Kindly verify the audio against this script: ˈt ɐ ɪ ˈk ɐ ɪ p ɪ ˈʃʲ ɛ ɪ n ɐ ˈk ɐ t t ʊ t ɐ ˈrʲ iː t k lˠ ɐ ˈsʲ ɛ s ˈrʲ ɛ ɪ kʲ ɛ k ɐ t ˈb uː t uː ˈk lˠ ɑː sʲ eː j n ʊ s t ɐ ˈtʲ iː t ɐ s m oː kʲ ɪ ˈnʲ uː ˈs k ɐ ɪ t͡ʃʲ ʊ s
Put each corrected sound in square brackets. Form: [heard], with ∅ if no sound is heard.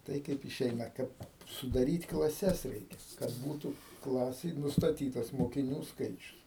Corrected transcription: ˈt ɐ ɪ ˈk ɐ ɪ p ɪ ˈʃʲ ɛ ɪ n ɐ ˈk ɐ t [s] ʊ [d] ɐ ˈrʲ iː t k lˠ ɐ ˈsʲ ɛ s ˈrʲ ɛ ɪ kʲ ɛ k ɐ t ˈb uː t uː ˈk lˠ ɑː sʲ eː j n ʊ s t ɐ ˈtʲ iː t ɐ s m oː kʲ ɪ ˈnʲ uː ˈs k ɐ ɪ t͡ʃʲ ʊ s